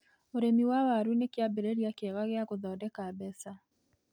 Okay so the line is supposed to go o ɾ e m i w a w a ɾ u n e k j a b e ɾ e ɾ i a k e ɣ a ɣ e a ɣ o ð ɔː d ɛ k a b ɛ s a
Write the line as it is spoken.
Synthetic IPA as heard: o ɾ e m i w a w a ɾ u n e k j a b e ɾ e ɾ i a k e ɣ a ɣ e a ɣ o ð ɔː d ɛ k a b ɛ s a